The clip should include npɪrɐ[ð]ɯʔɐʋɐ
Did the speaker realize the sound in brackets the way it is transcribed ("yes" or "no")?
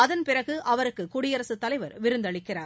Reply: no